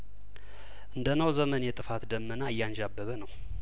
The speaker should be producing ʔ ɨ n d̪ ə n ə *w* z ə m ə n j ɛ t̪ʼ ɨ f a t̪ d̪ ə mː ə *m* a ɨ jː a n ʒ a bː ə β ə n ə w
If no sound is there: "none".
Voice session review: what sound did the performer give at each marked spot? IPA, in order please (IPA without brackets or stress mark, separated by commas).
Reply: w, n